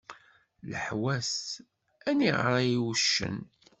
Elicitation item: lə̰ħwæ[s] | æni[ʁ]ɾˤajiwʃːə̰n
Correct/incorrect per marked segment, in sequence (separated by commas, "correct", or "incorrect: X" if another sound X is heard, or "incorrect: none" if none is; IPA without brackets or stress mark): correct, correct